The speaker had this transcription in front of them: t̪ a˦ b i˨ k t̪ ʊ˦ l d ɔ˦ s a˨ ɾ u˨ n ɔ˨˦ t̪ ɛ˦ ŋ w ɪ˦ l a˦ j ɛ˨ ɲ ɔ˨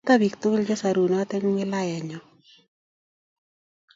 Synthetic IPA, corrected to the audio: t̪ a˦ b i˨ k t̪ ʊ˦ l d͡ʒ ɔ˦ s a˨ ɾ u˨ n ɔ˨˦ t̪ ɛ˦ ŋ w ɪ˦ l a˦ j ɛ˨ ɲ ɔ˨